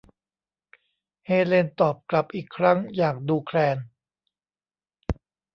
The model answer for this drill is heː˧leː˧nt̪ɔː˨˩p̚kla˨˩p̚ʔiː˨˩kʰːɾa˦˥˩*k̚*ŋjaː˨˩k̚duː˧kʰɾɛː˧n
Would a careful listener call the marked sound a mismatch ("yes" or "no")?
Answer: yes